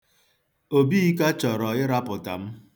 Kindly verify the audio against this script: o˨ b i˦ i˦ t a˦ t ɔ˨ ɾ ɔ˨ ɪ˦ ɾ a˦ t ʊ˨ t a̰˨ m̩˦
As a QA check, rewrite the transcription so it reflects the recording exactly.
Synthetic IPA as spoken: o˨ b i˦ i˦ k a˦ t͡ʃ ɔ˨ ɾ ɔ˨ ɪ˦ ɾ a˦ p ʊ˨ t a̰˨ m̩˦